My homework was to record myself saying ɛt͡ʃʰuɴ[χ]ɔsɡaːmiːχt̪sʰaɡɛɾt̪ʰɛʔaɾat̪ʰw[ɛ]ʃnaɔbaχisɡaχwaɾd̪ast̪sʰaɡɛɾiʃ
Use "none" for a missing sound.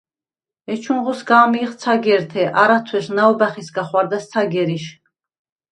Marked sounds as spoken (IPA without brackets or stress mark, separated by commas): ʁ, ɛ